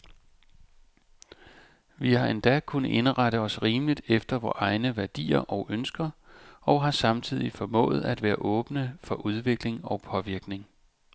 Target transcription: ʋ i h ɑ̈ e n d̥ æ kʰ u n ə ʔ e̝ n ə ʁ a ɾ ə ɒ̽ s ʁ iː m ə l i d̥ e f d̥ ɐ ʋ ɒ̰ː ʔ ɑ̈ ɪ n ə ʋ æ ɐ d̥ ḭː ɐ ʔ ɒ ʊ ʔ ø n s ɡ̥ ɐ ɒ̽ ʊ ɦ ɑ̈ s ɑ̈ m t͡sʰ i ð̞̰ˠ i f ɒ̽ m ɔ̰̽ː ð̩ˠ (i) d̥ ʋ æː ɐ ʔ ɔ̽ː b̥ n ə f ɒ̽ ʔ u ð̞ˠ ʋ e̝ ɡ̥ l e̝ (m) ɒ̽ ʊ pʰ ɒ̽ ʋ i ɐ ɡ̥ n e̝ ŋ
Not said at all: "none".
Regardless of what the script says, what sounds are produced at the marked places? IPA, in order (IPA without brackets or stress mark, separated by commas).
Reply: æ, ŋ